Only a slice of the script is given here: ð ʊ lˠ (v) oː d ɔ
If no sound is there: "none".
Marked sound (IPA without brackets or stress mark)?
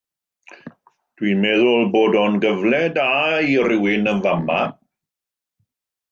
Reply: b